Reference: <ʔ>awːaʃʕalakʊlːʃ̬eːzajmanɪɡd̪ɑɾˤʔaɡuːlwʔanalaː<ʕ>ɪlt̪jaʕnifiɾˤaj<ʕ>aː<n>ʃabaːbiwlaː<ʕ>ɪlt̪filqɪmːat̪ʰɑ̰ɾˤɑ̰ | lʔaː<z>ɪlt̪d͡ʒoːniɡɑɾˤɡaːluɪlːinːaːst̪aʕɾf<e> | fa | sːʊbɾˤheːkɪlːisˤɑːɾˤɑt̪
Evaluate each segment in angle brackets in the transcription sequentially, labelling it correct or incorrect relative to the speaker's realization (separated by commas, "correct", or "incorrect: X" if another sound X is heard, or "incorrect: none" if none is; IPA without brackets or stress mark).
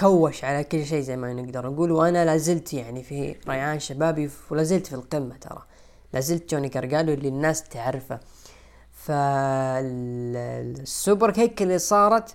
incorrect: k, incorrect: z, correct, correct, incorrect: z, correct, incorrect: a